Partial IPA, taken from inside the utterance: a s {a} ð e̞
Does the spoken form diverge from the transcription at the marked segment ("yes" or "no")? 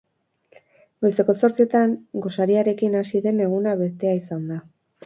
yes